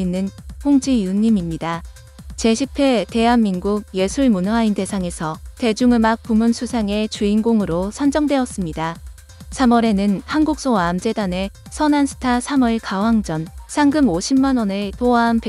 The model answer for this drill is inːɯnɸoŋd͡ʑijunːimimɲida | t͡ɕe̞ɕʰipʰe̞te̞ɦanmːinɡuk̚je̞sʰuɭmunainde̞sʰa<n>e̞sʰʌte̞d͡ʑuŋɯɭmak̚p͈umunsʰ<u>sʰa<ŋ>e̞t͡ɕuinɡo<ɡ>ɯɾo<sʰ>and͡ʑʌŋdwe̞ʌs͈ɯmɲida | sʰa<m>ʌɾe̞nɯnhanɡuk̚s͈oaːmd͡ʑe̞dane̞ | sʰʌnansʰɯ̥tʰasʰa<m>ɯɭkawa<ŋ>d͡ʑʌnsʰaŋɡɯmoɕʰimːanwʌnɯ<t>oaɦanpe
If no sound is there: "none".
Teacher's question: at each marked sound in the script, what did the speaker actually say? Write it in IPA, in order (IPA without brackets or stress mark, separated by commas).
ŋ, u, ŋ, ŋ, sʰ, m, m, ŋ, t